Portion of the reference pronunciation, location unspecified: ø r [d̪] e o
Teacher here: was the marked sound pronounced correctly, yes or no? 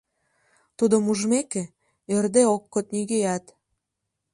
yes